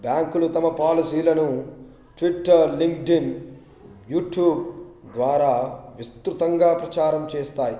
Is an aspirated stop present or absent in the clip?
absent